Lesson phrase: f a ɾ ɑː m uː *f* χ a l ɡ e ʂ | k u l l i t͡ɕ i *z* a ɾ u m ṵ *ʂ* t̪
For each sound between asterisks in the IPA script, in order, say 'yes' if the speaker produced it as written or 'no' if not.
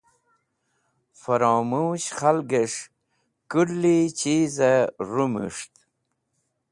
no, yes, yes

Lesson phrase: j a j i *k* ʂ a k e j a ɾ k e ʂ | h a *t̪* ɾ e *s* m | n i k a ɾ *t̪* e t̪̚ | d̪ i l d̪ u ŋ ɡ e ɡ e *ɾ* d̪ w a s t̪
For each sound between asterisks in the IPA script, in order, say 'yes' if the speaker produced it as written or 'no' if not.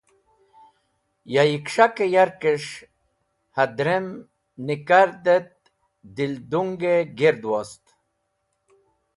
yes, no, no, no, yes

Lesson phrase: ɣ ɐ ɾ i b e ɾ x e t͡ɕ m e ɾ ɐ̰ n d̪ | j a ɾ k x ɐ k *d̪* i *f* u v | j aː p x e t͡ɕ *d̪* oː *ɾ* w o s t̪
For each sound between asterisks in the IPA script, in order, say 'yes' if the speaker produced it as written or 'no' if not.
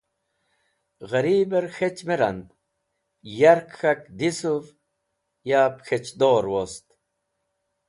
yes, no, yes, yes

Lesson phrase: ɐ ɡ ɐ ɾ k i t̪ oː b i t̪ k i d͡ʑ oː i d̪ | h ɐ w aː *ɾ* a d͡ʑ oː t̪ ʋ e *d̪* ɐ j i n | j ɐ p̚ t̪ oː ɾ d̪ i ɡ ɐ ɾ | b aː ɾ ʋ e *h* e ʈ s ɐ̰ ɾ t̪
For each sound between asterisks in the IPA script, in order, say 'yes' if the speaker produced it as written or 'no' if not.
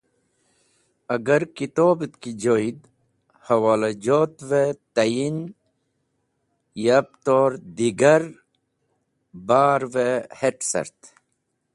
no, no, yes

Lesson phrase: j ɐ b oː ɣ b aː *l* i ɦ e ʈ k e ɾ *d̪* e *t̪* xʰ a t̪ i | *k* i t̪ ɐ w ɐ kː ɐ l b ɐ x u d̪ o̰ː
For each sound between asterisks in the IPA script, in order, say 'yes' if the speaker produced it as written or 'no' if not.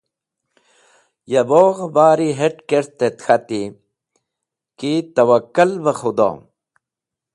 no, no, yes, yes

